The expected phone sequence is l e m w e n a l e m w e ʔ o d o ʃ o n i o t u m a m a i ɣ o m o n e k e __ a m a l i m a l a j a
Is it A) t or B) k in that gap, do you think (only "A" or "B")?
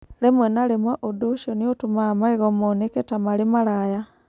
A